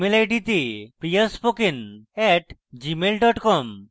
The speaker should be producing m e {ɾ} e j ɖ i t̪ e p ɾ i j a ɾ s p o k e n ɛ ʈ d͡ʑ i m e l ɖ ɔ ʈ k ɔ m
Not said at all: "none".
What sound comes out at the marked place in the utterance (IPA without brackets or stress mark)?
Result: l